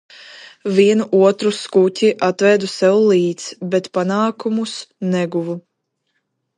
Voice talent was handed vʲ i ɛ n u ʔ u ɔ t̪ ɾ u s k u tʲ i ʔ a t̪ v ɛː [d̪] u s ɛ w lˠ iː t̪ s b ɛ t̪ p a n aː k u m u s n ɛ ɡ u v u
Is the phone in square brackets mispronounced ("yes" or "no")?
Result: no